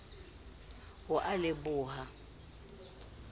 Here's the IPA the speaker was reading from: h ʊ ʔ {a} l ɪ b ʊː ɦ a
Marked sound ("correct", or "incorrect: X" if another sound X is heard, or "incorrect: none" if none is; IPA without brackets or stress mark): correct